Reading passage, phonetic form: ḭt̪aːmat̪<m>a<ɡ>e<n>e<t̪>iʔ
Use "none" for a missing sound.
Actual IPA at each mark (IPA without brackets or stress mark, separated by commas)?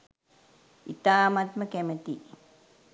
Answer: m, k, m, t̪